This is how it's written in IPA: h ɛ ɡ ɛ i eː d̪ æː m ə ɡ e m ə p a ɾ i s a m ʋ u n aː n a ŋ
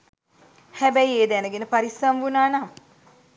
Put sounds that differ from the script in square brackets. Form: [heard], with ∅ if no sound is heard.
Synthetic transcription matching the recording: h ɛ [b] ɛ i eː d̪ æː [n] ə ɡ e [n] ə p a ɾ i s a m ʋ u n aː n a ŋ